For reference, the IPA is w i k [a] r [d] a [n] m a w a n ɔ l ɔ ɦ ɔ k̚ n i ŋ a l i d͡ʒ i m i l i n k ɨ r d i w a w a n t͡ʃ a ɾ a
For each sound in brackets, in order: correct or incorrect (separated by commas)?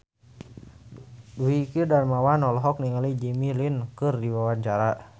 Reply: incorrect, correct, correct